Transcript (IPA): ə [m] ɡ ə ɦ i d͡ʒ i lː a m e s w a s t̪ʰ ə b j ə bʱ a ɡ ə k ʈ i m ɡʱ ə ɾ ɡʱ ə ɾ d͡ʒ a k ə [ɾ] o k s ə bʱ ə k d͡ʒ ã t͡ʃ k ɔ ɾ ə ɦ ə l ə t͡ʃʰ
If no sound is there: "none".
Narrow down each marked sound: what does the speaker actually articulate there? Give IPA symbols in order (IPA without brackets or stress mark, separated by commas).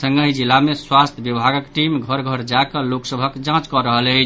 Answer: ŋ, l